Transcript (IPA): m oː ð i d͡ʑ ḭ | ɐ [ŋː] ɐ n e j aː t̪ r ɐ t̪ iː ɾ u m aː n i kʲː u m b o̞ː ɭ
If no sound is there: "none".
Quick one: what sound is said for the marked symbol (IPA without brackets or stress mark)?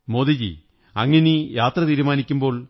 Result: ŋː